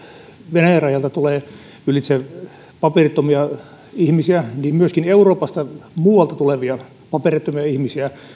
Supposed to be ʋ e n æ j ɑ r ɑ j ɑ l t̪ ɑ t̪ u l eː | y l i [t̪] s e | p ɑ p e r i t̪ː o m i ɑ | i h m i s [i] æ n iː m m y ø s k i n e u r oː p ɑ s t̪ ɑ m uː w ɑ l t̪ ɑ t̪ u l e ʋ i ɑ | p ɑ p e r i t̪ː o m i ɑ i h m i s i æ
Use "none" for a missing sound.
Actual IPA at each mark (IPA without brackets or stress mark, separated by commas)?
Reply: t̪, i